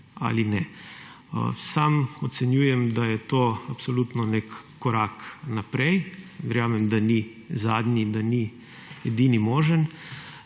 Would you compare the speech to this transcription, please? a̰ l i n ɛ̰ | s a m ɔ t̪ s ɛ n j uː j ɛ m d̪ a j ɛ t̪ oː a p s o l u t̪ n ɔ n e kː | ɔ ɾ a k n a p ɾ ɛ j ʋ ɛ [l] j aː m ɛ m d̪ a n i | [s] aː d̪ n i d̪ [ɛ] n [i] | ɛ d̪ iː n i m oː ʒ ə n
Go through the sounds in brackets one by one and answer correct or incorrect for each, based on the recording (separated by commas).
incorrect, incorrect, incorrect, correct